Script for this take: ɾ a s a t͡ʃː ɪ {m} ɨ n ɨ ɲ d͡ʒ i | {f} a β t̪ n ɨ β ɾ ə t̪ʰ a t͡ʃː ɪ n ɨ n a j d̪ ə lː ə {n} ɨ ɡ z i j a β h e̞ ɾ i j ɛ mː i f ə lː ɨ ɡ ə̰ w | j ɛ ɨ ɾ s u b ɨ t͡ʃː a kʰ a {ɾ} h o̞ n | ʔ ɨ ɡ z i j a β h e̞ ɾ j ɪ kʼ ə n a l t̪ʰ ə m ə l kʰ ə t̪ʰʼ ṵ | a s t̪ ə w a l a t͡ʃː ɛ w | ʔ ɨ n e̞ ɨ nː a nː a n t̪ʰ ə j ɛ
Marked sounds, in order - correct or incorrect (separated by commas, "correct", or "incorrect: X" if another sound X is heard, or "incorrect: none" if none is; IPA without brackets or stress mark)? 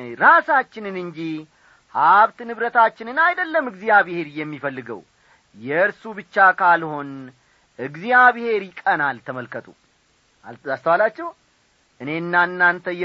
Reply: incorrect: n, incorrect: h, incorrect: m, incorrect: l